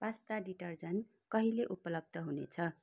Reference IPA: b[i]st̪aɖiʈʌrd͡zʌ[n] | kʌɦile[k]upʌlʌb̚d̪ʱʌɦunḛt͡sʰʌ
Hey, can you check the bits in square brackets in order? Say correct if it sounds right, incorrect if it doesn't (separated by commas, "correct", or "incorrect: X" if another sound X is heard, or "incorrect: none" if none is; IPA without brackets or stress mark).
incorrect: a, correct, incorrect: ʔ